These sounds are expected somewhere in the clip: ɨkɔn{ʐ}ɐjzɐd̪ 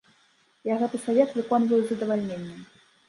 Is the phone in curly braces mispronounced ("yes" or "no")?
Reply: yes